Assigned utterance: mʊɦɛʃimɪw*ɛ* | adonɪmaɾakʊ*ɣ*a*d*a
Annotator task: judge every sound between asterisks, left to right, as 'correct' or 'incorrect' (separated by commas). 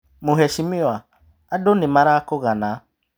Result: incorrect, correct, incorrect